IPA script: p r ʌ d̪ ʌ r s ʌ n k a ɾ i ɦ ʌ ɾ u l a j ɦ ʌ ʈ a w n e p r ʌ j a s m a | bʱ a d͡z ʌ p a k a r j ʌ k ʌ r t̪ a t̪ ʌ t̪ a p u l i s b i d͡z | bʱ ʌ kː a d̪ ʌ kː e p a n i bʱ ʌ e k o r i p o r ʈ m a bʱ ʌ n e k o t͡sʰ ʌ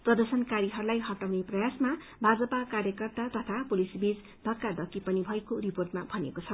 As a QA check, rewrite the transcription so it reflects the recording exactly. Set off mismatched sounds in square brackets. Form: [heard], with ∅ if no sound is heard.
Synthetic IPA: p r ʌ d̪ ʌ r s ʌ n k a ɾ i ɦ ʌ ɾ u l a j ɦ ʌ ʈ a w n e p r ʌ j a s m a | bʱ a d͡z ʌ p a k a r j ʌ k ʌ r t̪ a t̪ ʌ [t̪ʰ] a p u l i s b i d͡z | bʱ ʌ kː a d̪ ʌ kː [i] p [ʌ] n i bʱ ʌ e k o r i p o r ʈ m a bʱ ʌ n e k o t͡sʰ ʌ